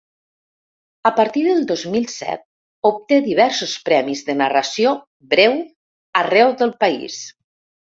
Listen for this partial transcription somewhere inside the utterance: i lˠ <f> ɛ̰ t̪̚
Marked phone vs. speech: incorrect: s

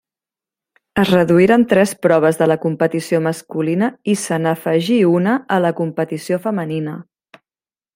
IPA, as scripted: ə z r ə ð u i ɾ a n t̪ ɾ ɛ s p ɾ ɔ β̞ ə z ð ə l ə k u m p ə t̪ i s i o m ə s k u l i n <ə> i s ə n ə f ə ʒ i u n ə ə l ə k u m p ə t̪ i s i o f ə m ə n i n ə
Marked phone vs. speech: correct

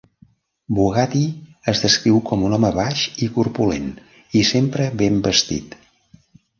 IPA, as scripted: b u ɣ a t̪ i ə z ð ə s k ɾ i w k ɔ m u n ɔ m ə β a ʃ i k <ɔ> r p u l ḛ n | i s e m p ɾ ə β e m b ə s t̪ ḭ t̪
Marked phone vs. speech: incorrect: u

